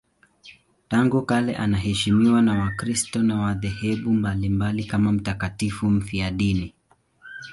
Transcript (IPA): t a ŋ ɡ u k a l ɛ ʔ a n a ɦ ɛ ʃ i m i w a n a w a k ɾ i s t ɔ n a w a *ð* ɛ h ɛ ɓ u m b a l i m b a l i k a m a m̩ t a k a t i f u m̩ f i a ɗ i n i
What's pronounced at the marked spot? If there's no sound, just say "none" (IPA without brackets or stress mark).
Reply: ð